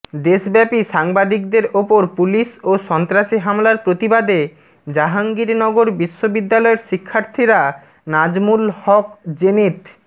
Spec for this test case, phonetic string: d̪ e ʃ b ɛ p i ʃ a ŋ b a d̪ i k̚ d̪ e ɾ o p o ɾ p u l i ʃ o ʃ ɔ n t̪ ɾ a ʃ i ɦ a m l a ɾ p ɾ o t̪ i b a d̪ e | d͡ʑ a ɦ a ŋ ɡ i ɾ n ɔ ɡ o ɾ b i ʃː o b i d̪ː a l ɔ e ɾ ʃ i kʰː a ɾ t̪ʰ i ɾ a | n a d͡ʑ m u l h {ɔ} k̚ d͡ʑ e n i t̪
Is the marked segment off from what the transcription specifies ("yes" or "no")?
no